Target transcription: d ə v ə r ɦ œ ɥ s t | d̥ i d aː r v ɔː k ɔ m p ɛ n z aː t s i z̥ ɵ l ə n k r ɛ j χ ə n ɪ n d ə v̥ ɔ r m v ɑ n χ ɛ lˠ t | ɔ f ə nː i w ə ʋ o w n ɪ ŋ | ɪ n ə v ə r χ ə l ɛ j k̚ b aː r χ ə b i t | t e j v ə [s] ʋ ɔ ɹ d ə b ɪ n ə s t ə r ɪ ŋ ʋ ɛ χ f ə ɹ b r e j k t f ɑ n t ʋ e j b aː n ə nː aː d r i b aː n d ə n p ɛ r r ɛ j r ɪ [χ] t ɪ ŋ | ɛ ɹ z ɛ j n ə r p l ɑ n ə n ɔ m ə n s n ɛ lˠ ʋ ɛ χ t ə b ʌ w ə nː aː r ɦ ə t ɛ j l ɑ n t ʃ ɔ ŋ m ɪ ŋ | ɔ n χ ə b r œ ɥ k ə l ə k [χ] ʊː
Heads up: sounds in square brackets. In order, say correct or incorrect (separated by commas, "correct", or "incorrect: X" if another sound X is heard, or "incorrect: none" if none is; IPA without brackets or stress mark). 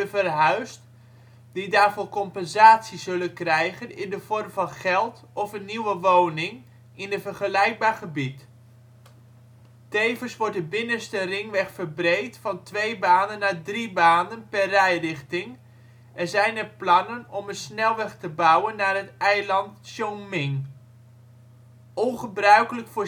correct, correct, incorrect: f